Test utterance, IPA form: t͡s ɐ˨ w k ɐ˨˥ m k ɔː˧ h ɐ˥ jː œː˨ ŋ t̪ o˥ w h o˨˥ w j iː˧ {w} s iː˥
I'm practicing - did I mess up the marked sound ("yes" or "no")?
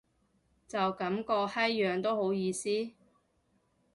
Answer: yes